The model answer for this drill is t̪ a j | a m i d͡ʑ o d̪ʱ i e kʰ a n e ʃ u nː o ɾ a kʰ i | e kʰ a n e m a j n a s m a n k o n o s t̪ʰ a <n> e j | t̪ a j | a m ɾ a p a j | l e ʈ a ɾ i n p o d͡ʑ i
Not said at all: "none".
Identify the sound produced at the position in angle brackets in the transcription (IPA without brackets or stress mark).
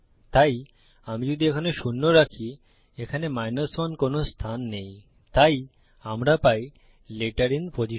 nː